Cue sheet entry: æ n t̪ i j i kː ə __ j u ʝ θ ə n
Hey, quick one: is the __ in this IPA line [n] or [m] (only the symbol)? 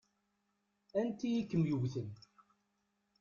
m